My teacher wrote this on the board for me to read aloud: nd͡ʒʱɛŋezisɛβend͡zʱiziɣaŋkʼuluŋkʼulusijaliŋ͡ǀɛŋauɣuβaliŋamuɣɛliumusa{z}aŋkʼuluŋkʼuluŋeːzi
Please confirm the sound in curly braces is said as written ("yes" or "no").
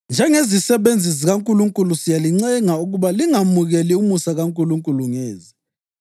no